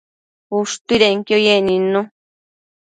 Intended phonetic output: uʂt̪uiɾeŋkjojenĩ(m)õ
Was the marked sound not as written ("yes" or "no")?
yes